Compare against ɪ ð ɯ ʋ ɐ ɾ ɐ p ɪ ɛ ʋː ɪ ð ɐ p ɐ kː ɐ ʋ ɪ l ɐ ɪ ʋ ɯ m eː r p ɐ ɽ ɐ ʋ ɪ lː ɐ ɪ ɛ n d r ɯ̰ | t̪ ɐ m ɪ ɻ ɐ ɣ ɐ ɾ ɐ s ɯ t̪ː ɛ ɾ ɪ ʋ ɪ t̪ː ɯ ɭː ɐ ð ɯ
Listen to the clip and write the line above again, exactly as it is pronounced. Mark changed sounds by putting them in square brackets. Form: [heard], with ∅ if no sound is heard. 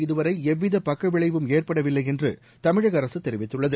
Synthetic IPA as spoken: ɪ ð ɯ ʋ ɐ ɾ ɐ [∅] ɪ ɛ ʋː ɪ ð ɐ p ɐ kː ɐ ʋ ɪ [ɭ] ɐ ɪ ʋ ɯ m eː r p ɐ ɽ ɐ ʋ ɪ lː ɐ ɪ ɛ n d r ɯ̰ | t̪ ɐ m ɪ ɻ ɐ ɣ ɐ ɾ ɐ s ɯ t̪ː ɛ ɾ ɪ ʋ ɪ t̪ː ɯ ɭː ɐ ð ɯ